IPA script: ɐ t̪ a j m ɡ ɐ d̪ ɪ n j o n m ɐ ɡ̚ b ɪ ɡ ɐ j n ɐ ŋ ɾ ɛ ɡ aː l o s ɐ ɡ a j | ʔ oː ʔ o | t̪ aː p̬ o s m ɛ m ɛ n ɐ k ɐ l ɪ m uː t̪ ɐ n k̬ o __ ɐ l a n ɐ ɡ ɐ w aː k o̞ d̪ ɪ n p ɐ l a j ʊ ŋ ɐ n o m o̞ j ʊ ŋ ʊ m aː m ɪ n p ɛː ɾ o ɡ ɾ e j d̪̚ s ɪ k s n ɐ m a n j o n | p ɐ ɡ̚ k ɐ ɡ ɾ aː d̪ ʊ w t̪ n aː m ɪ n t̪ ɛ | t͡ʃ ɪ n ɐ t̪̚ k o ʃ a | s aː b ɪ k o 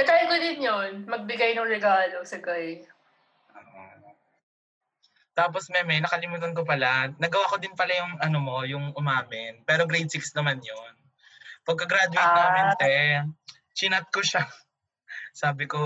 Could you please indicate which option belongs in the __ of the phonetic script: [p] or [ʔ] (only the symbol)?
p